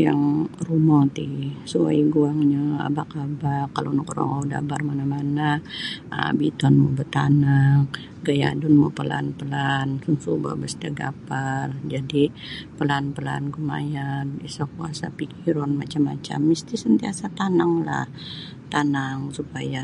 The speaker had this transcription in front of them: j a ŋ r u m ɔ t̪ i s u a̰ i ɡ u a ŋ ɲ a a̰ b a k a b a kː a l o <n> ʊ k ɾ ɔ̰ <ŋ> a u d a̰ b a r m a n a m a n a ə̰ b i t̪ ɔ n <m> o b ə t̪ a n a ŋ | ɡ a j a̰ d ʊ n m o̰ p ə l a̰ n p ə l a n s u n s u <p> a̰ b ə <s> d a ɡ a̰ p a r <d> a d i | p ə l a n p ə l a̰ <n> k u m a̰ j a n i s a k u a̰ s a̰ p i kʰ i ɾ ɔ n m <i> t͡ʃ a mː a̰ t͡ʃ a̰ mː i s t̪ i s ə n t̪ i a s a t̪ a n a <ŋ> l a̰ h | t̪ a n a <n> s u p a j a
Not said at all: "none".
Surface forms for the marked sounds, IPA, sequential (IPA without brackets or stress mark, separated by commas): n, ŋ, m, b, s, d͡ʒ, n, a, ŋ, ŋ